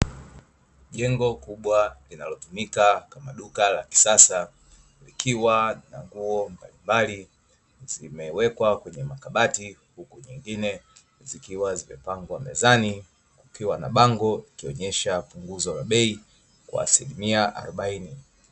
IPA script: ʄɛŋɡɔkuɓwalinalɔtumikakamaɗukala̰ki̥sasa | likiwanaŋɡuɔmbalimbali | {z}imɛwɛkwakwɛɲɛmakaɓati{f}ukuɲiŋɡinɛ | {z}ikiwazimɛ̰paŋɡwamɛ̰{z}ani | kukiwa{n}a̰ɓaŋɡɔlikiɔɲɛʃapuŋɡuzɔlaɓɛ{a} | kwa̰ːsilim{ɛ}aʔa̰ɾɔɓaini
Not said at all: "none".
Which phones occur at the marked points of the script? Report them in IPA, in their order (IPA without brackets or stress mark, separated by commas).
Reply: z, h, z, z, n, i, i